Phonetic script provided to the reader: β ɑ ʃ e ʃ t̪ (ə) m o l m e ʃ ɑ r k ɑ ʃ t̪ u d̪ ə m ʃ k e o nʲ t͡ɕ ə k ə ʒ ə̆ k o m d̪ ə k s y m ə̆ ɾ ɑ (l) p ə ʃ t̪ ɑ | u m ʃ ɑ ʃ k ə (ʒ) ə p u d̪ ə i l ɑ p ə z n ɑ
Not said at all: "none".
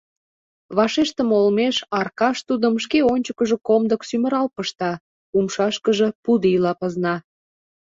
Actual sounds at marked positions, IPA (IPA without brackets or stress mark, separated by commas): ə, l, ʒ